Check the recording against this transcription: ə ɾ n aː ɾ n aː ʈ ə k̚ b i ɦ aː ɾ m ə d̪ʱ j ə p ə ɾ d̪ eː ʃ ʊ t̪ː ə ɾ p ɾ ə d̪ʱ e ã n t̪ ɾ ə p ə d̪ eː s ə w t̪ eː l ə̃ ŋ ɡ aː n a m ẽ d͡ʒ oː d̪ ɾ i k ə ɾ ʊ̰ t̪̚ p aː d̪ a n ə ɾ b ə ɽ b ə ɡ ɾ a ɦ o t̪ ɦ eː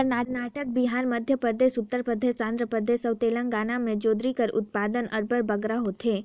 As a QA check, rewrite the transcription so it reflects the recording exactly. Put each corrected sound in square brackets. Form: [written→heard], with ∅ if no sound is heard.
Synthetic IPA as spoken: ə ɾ n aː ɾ n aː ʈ ə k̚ b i ɦ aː ɾ m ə d̪ʱ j ə p ə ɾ d̪ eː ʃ ʊ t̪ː ə ɾ p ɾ ə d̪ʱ e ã n [t̪→d̪] ɾ ə p ə d̪ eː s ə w t̪ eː l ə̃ ŋ ɡ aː n a m ẽ d͡ʒ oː d̪ ɾ i k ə ɾ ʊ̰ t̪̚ p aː d̪ [a→ə] n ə ɾ b ə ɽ b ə ɡ ɾ a ɦ o t̪ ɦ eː